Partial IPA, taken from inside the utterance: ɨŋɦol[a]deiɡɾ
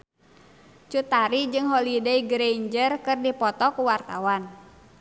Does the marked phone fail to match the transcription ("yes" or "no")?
yes